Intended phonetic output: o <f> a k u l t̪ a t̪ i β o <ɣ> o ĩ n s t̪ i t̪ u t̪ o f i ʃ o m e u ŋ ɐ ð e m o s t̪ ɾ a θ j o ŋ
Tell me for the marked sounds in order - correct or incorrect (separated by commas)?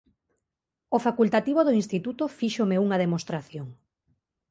correct, incorrect